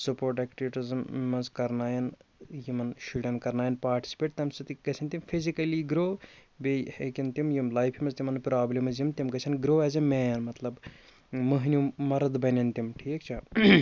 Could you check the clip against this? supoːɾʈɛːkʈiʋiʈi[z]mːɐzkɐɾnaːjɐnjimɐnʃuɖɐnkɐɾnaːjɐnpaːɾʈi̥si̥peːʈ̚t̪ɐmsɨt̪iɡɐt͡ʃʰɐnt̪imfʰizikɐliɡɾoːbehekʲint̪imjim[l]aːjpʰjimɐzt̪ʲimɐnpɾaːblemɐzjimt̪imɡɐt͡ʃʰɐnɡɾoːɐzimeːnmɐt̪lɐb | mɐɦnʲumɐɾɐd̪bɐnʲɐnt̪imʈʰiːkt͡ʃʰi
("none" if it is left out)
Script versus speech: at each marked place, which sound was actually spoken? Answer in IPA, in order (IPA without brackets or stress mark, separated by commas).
z, l